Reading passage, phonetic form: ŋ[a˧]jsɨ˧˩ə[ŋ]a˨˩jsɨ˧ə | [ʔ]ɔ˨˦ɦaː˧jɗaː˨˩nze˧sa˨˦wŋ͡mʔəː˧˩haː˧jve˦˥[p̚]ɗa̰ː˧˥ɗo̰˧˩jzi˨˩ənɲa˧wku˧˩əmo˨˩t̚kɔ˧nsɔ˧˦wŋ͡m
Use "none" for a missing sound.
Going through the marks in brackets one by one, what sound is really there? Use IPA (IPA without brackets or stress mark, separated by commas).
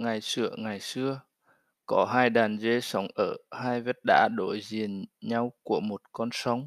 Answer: a˨˩, ŋ, k, t̚